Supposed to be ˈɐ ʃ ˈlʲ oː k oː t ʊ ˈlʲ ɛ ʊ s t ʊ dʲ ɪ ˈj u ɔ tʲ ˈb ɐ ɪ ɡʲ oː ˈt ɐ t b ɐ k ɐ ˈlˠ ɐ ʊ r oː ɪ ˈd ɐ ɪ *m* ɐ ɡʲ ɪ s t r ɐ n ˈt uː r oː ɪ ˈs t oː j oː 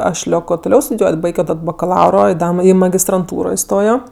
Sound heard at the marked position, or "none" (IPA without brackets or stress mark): m